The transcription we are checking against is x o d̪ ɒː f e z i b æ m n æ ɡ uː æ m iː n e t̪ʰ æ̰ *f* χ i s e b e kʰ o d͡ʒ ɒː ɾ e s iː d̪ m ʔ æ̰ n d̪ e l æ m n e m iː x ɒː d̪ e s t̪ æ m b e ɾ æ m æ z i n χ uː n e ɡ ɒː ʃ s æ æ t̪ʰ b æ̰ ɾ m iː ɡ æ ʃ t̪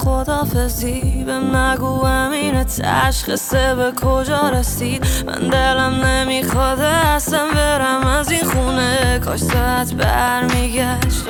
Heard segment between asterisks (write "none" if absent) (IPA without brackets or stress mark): ʃ